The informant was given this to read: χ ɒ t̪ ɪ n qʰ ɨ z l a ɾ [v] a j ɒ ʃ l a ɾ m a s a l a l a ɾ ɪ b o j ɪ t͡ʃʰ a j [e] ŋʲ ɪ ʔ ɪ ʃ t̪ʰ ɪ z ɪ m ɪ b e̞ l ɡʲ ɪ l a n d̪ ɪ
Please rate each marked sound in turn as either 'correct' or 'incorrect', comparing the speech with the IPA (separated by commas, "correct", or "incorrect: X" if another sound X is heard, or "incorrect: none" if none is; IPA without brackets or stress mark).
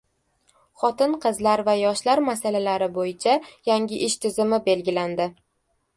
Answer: correct, incorrect: a